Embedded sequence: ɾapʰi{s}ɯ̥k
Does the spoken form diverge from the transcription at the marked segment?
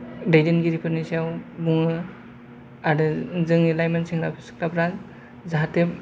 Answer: no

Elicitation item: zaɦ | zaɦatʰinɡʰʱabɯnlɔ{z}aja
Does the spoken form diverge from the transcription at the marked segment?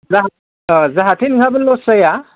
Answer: yes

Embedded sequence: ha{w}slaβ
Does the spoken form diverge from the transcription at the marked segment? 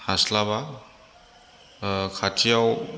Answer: yes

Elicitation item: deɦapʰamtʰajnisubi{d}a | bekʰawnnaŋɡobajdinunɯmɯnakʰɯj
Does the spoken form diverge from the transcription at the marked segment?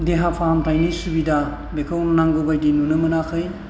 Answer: no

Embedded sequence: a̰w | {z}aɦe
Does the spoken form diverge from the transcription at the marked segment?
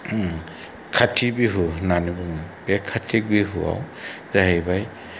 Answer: no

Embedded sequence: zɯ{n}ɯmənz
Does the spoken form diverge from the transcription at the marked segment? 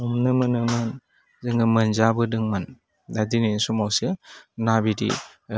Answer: yes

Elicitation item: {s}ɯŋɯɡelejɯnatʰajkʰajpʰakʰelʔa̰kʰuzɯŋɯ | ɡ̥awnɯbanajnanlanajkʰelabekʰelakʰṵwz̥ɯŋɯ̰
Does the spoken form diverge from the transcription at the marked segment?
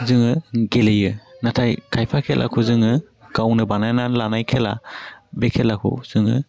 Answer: yes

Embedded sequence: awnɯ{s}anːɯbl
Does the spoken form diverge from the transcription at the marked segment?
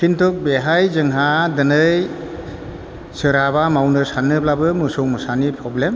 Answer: no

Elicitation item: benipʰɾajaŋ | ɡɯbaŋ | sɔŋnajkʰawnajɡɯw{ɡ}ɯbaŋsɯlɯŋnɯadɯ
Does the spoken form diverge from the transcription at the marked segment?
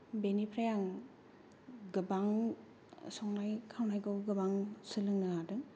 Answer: no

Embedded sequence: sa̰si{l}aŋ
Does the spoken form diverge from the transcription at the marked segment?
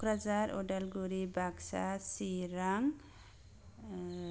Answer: yes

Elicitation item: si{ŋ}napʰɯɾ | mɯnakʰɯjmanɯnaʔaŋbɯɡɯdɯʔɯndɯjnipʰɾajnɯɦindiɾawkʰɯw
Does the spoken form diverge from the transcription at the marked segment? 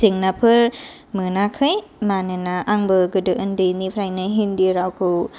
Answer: no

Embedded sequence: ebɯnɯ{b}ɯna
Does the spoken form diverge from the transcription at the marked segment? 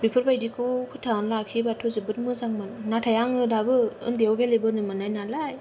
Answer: yes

